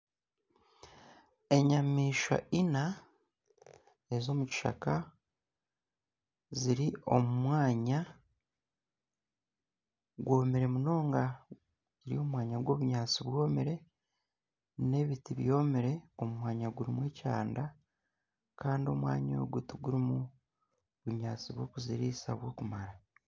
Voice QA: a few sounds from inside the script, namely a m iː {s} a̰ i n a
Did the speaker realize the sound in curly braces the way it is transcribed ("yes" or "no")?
no